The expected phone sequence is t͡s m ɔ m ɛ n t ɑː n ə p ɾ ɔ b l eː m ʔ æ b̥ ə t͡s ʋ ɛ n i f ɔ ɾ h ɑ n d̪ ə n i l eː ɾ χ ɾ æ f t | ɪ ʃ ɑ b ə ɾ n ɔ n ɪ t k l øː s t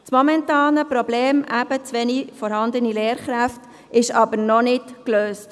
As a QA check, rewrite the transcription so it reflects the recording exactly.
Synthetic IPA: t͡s m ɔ m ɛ n t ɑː n ə p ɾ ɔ b l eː m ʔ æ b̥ ə t͡s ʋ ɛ n i f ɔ ɾ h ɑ n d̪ ə n i l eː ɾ χ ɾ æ f t | ɪ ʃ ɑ b ə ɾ n ɔ n ɪ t k l øː s t